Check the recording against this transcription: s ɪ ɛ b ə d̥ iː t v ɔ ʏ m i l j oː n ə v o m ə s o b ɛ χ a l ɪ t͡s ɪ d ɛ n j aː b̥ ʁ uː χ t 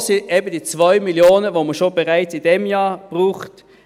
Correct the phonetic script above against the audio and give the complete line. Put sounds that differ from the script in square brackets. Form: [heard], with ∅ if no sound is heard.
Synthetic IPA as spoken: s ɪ ɛ b ə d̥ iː [t͡s] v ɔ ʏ m i l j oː n ə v o m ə [ʃ] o b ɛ [ʁ] a [∅] ɪ t͡s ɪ d ɛ [m] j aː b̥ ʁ uː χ t